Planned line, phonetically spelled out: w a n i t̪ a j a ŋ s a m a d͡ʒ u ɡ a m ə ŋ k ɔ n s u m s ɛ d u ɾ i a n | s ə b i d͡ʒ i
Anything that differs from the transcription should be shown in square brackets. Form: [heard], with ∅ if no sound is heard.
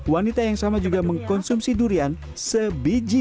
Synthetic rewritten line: w a n i t̪ a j a ŋ s a m a d͡ʒ u ɡ a m ə ŋ k ɔ n s u m s [i] d u ɾ i a n | s ə b i d͡ʒ i

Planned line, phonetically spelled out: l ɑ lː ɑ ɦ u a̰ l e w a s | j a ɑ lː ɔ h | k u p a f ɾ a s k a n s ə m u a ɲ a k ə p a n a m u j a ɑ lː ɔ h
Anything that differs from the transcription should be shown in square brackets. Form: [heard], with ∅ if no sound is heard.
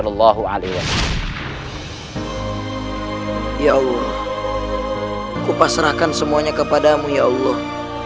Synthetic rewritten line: l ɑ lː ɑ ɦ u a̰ l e w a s | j a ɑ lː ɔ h | k u p a [s] ɾ a [h] k a n s ə m u a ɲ a k ə p a [d] a m u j a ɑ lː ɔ h

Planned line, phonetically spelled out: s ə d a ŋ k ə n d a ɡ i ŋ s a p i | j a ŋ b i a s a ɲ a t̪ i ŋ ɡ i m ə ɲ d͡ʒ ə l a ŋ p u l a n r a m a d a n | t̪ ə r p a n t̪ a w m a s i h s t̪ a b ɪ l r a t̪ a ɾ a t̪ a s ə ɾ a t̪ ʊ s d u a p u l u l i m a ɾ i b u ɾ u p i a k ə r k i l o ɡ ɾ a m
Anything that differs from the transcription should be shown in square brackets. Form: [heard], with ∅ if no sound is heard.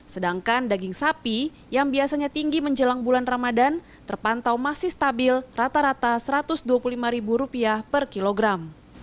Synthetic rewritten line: s ə d a ŋ k [a] n d a ɡ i ŋ s a p i | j a ŋ b i a s a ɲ a t̪ i ŋ ɡ i m ə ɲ d͡ʒ ə l a ŋ [b] u l a n r a m a d a n | t̪ ə r p a n t̪ a w m a s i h s t̪ a b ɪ l r a t̪ a ɾ a t̪ a s ə ɾ a t̪ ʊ s d u a p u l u l i m a ɾ i b u ɾ u p i a [p] ə r k i l o ɡ ɾ a m

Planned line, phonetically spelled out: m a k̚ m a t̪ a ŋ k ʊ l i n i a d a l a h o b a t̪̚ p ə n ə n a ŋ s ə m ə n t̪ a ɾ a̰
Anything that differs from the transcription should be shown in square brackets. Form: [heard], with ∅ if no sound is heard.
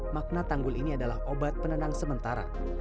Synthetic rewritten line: m a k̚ [n] a t̪ a ŋ [ɡ] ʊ l i n i a d a l a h o b a t̪̚ p ə n ə n a ŋ s ə m ə n t̪ a ɾ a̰

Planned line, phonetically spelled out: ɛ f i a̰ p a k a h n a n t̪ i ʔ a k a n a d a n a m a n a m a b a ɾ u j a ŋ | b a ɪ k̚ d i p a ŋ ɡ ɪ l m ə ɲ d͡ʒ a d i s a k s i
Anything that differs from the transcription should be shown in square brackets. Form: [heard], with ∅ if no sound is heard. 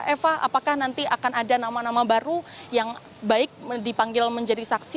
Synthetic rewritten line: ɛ f [a] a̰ p a k a h n a n t̪ i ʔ a k a n a d a n a m a n a m a b a ɾ u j a ŋ | b a ɪ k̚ d i p a ŋ ɡ ɪ l m ə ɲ d͡ʒ a d i s a k s i

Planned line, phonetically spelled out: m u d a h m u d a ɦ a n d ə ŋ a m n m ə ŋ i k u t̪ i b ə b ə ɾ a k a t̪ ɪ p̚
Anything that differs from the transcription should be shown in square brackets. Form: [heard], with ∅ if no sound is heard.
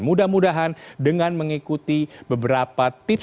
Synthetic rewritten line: m u d a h m u d a ɦ a n d ə ŋ a [∅] n m ə ŋ i k u t̪ i b ə b ə ɾ a [p] a t̪ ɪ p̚

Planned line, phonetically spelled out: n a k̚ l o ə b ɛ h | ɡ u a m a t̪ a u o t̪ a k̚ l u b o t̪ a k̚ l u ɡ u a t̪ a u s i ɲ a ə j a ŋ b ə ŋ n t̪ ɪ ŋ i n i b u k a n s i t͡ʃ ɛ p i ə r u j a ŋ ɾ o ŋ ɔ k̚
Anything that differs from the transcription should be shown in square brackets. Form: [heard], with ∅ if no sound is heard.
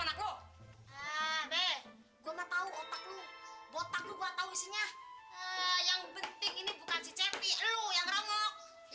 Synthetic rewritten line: n a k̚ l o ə b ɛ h | ɡ u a m a t̪ a u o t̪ a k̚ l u b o t̪ a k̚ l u ɡ u a t̪ a u s i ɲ a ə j a ŋ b ə [∅] n t̪ ɪ ŋ i n i b u k a n s i t͡ʃ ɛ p i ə [l] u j a ŋ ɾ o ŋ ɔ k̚

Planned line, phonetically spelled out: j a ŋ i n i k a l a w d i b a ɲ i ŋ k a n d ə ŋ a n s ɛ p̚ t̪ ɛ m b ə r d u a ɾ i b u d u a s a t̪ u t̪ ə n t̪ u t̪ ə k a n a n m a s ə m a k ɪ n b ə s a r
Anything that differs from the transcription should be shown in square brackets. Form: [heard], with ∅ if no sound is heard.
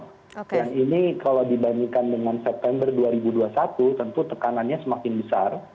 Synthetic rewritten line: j a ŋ i n i k a l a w d i b a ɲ i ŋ k a n d ə ŋ a n s ɛ p̚ t̪ ɛ m b ə r d u a ɾ i b u d u a s a t̪ u t̪ ə n t̪ u t̪ ə k a n a n [ɲ] a s ə m a k ɪ n b ə s a r

